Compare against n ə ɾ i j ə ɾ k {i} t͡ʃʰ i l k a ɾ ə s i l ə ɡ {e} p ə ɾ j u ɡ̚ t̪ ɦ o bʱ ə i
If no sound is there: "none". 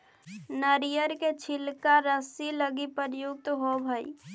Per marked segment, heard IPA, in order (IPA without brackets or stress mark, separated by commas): e, i